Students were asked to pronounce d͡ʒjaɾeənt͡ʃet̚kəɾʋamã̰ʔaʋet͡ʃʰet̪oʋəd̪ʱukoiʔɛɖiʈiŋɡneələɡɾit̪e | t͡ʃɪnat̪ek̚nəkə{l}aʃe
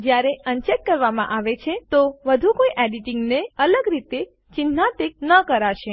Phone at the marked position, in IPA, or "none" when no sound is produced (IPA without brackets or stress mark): ɾ